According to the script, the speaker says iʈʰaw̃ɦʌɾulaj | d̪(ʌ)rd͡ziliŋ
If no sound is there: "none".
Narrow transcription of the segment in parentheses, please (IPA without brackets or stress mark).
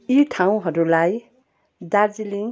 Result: a